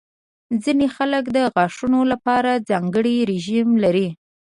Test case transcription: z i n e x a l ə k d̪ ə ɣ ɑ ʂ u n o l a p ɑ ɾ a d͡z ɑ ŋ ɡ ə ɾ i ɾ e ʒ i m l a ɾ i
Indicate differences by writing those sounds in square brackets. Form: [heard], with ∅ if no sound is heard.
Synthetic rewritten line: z i n e x a l ə k d̪ ə ɣ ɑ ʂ u n o l a p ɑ ɾ a d͡z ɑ ŋ ɡ ə [ɽ] i ɾ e ʒ i m l a ɾ i